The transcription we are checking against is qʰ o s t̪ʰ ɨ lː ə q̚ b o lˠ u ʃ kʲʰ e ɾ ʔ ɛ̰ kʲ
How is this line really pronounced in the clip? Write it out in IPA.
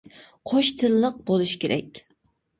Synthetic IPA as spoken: qʰ o ʃ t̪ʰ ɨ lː ə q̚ b o lˠ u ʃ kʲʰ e ɾ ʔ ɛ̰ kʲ